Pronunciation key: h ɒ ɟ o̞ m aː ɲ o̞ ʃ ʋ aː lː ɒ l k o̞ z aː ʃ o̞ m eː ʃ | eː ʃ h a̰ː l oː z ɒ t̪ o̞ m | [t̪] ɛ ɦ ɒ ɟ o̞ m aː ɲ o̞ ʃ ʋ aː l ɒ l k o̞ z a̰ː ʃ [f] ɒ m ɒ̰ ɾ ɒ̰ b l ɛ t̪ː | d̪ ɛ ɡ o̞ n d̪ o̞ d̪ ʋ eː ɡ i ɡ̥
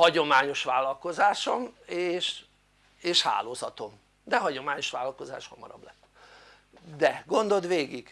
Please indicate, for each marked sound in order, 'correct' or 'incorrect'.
incorrect: d̪, incorrect: h

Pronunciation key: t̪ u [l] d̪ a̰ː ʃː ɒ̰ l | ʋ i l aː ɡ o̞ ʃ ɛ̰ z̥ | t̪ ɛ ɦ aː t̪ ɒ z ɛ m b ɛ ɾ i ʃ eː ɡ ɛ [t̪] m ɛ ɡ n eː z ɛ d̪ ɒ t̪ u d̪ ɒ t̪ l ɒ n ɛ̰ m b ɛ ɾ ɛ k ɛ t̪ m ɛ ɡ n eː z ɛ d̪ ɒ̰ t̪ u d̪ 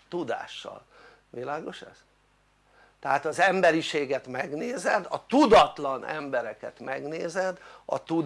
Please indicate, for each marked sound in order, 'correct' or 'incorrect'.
incorrect: none, correct

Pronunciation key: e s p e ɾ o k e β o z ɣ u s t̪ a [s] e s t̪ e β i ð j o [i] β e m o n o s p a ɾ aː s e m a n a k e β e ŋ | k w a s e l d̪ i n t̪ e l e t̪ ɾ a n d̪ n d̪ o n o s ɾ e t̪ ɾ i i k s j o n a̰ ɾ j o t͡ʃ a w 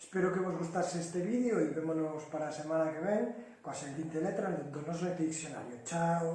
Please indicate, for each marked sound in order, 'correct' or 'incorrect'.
correct, correct

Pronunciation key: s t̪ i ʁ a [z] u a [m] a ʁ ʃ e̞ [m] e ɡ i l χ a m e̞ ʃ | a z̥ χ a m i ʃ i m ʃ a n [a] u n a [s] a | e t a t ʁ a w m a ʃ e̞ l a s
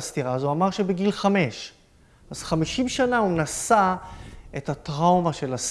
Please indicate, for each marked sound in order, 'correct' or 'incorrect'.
correct, correct, incorrect: b, correct, correct

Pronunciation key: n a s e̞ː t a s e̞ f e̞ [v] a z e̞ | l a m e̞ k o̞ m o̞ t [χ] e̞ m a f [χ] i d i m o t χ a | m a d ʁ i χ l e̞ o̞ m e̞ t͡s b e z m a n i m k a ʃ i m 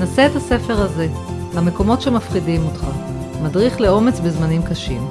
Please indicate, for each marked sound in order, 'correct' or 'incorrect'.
incorrect: ʁ, incorrect: ʃ, correct

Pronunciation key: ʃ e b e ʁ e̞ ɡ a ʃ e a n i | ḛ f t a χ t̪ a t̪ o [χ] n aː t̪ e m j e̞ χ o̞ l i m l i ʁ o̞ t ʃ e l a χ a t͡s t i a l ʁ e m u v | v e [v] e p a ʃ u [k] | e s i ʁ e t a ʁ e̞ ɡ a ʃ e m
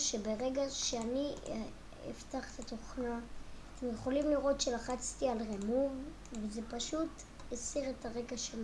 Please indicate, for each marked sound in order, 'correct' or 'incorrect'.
correct, incorrect: z, incorrect: t

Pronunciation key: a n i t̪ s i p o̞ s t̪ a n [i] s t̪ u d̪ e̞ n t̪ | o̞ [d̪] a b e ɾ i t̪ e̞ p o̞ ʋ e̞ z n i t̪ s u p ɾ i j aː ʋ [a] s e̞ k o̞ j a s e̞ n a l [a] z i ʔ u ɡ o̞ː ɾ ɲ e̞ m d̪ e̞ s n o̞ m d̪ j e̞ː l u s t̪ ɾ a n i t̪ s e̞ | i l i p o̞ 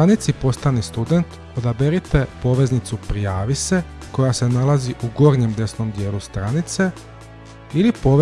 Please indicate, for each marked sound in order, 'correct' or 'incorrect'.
correct, correct, incorrect: i, correct

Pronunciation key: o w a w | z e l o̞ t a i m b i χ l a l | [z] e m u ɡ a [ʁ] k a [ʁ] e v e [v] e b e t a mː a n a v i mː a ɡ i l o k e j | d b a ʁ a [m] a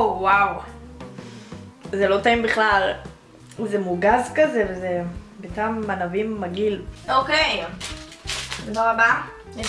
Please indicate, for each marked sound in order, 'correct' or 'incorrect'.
correct, incorrect: z, incorrect: z, incorrect: z, incorrect: b

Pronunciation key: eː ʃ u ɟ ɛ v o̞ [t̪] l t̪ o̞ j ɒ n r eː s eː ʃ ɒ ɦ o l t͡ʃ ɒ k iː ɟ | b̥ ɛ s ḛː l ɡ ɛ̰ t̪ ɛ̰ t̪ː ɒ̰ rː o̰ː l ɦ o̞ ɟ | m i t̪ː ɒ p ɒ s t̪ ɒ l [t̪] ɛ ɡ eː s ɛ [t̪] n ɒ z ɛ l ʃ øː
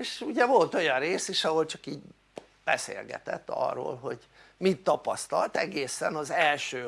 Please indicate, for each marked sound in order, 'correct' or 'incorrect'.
incorrect: none, correct, incorrect: none

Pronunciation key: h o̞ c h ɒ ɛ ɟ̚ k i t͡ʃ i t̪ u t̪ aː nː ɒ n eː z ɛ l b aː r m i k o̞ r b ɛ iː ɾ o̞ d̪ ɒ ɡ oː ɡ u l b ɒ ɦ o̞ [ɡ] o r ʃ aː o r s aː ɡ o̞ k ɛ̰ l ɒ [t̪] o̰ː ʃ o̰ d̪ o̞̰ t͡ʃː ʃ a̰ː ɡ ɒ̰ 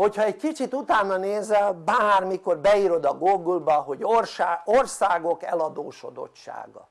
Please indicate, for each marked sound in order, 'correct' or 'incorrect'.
incorrect: ɟ, incorrect: d̪

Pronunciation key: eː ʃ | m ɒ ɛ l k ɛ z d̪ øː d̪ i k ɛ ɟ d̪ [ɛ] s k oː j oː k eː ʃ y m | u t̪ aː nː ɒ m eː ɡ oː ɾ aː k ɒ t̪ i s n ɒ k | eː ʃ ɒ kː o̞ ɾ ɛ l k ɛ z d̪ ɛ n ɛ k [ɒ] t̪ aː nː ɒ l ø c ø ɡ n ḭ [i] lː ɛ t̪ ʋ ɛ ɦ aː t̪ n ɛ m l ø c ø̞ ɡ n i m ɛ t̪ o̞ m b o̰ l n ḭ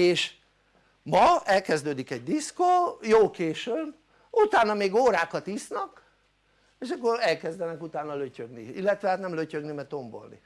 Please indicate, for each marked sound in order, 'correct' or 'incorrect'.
incorrect: i, incorrect: u, correct

